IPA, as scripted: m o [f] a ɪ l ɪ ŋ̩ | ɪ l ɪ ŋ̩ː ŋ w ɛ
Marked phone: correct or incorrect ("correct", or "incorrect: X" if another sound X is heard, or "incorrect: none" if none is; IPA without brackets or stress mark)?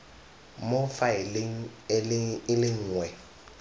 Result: correct